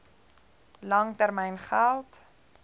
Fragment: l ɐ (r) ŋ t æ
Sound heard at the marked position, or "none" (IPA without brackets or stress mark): none